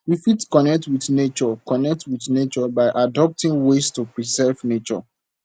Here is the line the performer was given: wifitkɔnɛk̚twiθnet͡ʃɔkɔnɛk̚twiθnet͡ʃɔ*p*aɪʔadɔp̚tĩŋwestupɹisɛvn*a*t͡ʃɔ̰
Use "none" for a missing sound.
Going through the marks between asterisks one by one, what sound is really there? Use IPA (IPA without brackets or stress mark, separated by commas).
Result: b, e